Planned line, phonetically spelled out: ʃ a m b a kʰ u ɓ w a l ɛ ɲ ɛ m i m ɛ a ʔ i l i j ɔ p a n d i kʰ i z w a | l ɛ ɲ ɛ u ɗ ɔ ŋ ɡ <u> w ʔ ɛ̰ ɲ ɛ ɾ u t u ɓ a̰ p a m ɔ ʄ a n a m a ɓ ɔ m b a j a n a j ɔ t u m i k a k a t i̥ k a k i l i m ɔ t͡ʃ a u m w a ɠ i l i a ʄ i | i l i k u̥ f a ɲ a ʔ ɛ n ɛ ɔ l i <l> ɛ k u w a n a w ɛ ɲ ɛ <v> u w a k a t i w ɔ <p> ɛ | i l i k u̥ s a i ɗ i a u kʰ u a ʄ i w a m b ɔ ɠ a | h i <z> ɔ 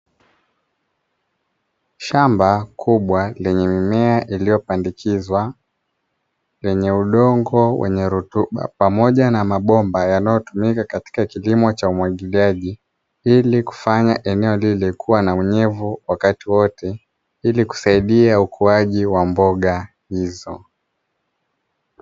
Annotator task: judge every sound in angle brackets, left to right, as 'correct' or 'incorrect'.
incorrect, correct, correct, incorrect, correct

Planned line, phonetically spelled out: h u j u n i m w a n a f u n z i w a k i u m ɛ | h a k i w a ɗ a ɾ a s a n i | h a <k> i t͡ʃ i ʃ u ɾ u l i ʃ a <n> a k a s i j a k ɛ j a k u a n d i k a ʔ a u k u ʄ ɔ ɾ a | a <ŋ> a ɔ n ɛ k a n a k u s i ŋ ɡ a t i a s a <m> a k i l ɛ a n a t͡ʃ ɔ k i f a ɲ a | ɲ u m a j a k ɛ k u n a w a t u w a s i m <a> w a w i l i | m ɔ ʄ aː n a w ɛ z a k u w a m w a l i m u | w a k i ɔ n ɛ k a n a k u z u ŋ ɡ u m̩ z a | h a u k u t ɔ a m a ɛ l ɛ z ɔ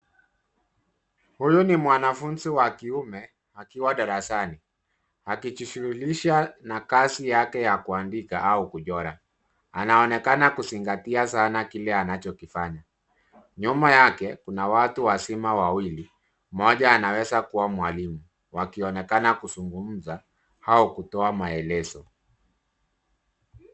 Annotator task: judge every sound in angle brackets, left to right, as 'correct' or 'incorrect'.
correct, correct, incorrect, incorrect, correct

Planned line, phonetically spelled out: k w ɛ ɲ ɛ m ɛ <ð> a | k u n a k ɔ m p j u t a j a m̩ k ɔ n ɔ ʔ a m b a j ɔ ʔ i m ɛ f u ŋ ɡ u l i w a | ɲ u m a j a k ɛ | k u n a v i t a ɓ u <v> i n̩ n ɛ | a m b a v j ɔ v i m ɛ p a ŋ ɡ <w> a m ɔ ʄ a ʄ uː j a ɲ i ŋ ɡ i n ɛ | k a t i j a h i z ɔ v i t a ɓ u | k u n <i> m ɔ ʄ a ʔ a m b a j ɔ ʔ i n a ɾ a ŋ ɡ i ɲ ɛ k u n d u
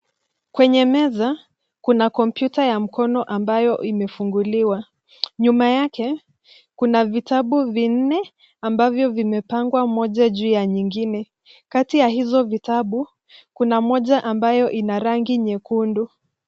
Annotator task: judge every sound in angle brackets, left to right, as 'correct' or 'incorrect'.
incorrect, correct, correct, incorrect

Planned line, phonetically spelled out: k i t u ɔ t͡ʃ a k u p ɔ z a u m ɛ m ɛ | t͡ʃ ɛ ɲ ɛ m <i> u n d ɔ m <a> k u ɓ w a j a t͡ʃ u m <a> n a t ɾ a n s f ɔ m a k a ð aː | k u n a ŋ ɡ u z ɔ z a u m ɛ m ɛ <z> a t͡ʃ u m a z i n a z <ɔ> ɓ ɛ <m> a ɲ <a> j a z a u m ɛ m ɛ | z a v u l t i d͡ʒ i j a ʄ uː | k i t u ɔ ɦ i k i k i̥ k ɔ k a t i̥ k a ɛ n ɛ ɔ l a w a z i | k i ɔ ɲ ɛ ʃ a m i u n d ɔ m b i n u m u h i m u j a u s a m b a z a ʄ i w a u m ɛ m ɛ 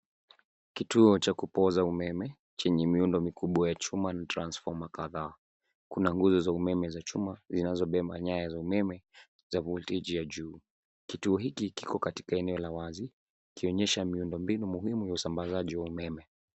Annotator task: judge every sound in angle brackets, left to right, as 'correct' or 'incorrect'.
correct, incorrect, correct, correct, correct, correct, correct

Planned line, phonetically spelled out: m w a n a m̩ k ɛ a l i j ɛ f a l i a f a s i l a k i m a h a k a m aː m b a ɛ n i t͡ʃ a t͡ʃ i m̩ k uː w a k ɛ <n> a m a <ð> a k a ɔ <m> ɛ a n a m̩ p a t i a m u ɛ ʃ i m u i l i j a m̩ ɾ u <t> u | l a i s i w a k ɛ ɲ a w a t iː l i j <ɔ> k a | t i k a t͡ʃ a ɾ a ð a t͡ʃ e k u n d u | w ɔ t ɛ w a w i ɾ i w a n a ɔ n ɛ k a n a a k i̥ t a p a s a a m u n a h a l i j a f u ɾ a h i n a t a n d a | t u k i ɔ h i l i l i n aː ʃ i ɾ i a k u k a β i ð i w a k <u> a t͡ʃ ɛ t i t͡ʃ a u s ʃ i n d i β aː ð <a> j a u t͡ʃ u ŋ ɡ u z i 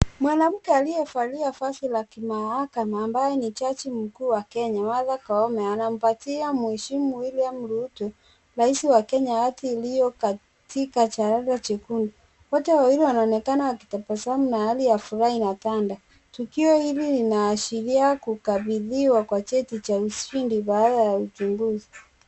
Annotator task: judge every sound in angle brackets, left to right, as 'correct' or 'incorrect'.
incorrect, correct, correct, correct, correct, incorrect, correct

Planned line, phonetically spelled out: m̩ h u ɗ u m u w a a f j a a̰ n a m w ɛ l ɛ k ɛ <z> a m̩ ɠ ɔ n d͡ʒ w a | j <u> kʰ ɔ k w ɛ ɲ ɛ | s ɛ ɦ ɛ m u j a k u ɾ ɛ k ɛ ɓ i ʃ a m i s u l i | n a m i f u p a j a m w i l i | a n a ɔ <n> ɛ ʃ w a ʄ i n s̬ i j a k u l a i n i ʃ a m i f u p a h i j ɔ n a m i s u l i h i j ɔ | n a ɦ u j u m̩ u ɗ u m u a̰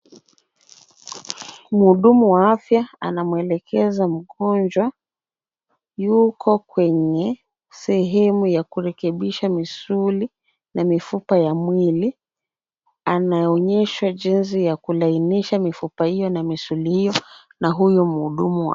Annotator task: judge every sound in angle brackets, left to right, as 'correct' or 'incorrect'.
correct, correct, incorrect

